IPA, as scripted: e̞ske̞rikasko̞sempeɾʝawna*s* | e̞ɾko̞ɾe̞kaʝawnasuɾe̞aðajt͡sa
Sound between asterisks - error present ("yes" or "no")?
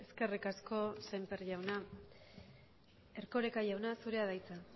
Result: yes